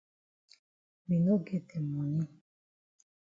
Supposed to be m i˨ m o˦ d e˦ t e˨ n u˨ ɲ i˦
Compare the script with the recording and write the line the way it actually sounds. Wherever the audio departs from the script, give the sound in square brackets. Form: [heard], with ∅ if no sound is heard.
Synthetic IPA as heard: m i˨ [n] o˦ [ɡ] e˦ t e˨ [m] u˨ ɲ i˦

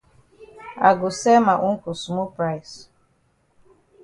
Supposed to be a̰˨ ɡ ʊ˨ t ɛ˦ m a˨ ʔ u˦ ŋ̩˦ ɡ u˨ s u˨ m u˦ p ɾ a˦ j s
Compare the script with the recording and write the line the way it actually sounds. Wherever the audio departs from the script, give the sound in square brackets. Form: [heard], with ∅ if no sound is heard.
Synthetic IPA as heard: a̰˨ ɡ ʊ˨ [s] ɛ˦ m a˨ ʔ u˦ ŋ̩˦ [k] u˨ s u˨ m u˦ p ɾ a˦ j s

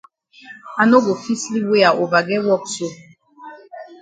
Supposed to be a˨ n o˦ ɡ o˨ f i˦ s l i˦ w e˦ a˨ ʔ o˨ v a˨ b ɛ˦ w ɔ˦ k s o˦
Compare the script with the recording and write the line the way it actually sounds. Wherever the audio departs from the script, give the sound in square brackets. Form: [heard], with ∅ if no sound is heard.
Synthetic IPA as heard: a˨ n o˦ ɡ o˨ f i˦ s l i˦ w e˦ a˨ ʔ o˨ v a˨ [ɡ] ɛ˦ w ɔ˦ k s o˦

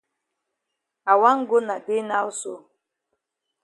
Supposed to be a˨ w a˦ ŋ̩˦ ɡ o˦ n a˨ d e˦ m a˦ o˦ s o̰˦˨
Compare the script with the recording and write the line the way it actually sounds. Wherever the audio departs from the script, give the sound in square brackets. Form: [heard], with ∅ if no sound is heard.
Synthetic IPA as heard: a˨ w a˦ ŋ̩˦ ɡ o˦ n a˨ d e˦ [n] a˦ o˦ s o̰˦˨

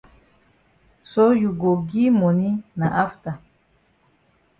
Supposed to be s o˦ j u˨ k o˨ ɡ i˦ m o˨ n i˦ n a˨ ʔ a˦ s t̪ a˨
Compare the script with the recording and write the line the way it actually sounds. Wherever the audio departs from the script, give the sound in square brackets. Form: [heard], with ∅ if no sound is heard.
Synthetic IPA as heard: s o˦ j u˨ [ɡ] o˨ ɡ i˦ m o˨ n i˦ n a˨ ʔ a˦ [f] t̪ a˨

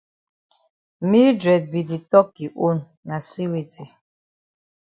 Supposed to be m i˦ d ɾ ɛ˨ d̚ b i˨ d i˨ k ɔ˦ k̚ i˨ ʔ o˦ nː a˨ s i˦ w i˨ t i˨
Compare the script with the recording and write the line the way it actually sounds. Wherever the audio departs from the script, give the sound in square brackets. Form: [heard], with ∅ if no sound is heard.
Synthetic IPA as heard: m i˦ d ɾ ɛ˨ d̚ b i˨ d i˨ [t] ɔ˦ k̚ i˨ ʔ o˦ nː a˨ s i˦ w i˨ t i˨

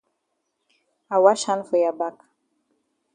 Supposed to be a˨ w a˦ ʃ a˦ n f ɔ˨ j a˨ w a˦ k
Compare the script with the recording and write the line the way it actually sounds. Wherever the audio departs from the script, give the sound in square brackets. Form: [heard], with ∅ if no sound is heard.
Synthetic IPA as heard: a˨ w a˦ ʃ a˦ n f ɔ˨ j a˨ [b] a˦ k

